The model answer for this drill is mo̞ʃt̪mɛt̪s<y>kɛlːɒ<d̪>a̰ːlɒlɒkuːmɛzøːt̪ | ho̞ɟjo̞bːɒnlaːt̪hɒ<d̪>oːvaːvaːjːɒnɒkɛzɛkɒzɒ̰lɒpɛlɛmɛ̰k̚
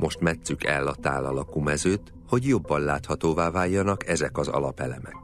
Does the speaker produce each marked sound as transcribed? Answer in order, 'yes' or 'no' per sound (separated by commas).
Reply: yes, no, no